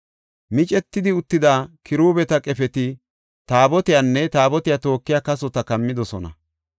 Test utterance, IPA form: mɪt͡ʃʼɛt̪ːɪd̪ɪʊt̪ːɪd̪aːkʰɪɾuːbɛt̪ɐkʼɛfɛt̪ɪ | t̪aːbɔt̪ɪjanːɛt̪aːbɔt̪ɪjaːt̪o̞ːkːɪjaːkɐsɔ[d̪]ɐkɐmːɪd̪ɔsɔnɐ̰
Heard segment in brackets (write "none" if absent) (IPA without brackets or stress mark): t̪